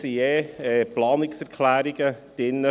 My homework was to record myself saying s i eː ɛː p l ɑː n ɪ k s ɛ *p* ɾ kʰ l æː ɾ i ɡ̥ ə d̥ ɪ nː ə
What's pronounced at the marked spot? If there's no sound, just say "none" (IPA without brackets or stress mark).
none